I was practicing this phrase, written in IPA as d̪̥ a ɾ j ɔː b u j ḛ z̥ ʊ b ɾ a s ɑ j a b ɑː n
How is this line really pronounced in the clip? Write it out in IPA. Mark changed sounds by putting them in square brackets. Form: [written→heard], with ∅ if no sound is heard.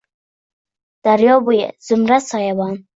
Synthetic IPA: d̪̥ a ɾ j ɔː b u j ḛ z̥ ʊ [b→m] ɾ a s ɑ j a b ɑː n